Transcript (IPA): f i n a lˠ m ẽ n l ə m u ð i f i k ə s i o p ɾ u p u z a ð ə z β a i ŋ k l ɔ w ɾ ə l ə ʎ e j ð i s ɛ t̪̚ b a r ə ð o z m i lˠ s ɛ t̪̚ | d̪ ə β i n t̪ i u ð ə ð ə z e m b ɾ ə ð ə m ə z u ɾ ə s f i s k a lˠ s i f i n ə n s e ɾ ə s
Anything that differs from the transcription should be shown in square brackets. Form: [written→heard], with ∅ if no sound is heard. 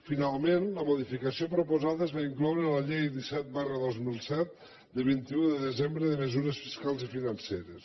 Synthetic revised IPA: f i n a lˠ m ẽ n l ə m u ð i f i k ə s i o p ɾ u p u z a ð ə z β a i ŋ k l ɔ w ɾ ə l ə ʎ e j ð i s ɛ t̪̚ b a r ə ð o z m i lˠ s ɛ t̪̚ | d̪ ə β i n t̪ i u ð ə ð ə z e m b ɾ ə ð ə m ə z u ɾ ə s f i s k a lˠ [s→z] i f i n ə n s e ɾ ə s